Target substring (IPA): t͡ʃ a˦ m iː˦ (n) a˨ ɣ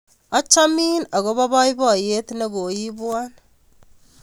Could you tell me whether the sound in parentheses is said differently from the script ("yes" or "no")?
no